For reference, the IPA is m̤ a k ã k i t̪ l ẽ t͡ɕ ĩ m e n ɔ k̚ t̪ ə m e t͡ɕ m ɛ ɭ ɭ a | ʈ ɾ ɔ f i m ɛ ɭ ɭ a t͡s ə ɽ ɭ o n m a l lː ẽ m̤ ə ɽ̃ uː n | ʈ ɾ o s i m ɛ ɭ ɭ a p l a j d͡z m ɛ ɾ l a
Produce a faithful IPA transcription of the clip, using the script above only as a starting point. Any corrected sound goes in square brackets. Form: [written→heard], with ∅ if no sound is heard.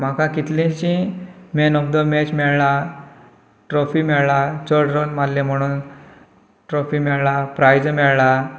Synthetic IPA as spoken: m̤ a k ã k i t̪ l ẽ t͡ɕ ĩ m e n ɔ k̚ [t̪→d̪] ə m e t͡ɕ m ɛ ɭ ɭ a | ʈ ɾ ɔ f i m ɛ ɭ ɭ a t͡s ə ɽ [ɭ→ɾ] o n m a l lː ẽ m̤ ə ɽ̃ uː n | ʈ ɾ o [s→f] i m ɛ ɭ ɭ a p [l→ɾ] a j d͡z m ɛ [ɾ→ɭ] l a